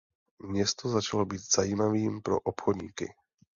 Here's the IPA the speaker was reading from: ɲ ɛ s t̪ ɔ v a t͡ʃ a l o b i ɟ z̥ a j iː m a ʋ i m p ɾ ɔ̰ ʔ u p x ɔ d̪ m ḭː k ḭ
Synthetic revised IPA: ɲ ɛ s t̪ ɔ z a t͡ʃ a l ɔ b i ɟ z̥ a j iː m a ʋ iː m p ɾ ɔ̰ ʔ ɔ p x ɔ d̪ ɲ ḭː k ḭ